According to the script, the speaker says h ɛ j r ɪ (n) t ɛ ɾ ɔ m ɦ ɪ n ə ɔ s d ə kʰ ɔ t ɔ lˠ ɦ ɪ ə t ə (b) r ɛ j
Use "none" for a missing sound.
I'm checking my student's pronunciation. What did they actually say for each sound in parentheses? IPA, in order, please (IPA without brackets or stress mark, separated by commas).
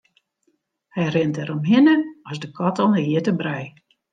n, b